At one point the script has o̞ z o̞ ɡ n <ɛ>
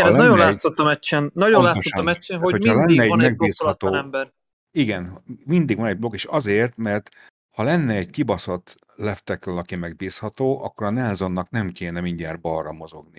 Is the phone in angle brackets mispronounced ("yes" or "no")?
yes